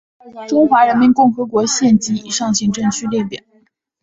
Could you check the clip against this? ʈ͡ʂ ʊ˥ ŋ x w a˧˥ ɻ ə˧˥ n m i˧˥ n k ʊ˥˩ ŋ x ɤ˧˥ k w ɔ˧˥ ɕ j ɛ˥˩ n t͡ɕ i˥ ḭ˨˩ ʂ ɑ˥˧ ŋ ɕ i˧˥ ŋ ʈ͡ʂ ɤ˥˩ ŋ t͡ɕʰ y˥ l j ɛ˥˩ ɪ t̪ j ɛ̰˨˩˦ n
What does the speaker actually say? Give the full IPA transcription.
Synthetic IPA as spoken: ʈ͡ʂ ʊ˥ ŋ x w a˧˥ ɻ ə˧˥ n m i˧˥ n k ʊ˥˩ ŋ x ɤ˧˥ k w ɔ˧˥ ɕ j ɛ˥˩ n t͡ɕ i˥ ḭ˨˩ ʂ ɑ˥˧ ŋ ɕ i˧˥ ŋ ʈ͡ʂ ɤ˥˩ ŋ t͡ɕʰ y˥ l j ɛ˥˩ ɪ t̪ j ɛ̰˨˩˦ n